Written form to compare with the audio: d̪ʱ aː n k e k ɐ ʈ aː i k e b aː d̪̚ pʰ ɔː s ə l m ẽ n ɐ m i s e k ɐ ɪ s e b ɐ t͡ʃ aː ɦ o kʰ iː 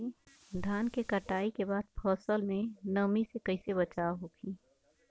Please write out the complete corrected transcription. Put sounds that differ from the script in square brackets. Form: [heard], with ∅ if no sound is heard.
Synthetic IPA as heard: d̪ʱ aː n k e k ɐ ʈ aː i k e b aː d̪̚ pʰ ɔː s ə l m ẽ n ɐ m i s e k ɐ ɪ s e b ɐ t͡ʃ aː ɦ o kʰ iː